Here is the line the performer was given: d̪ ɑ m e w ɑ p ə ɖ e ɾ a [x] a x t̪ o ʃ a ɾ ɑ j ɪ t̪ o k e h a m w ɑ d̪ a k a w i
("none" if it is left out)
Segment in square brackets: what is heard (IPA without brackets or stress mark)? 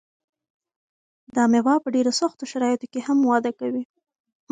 s